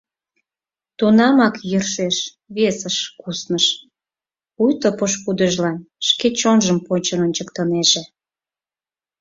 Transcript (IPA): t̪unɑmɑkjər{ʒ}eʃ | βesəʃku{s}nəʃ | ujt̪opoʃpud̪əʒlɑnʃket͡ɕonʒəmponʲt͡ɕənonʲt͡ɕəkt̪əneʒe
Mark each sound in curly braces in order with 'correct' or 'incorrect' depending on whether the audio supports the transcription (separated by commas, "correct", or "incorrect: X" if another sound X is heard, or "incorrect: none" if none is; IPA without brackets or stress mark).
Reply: incorrect: ʃ, correct